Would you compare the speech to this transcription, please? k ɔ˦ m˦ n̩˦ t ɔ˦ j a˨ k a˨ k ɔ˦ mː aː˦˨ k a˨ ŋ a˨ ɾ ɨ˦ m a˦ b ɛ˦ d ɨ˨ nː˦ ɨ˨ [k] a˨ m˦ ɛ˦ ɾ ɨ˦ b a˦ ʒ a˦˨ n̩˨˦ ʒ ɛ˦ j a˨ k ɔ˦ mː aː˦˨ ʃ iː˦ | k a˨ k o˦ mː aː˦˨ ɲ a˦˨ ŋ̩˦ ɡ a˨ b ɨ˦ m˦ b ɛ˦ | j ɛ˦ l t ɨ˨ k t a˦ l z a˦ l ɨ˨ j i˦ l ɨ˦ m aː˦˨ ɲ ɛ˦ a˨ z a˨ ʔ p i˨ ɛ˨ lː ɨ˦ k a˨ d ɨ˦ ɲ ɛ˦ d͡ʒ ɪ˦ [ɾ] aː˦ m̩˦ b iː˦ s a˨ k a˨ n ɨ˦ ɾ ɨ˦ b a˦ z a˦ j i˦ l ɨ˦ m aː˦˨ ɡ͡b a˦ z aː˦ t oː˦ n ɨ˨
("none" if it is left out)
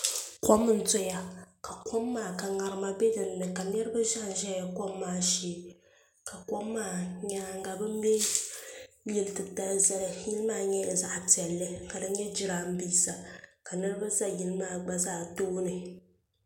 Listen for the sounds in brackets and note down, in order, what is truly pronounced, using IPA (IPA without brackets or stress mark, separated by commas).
k, ɾ